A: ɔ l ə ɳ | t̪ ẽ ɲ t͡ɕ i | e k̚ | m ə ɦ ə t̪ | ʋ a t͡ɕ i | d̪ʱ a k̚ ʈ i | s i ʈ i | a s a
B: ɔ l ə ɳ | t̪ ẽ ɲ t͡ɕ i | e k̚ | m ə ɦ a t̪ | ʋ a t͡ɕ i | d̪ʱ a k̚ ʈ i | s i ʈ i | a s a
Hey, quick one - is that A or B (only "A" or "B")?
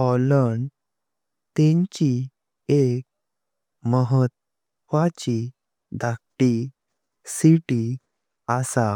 A